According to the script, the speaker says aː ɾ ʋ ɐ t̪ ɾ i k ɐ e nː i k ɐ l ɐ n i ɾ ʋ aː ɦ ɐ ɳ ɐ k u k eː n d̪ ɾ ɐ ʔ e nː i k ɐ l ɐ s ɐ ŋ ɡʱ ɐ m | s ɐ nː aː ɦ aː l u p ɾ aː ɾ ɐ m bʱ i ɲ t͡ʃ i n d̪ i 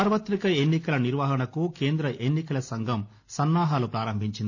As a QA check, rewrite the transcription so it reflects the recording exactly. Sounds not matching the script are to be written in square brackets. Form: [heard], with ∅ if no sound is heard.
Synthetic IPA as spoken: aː ɾ ʋ ɐ t̪ ɾ i k ɐ e nː i k ɐ l ɐ n i ɾ ʋ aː ɦ ɐ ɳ ɐ k u k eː n d̪ ɾ ɐ ʔ e nː i k ɐ l ɐ s ɐ ŋ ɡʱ ɐ m | s ɐ nː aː ɦ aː l u p ɾ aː ɾ ɐ m bʱ i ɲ t͡ʃ i n d̪ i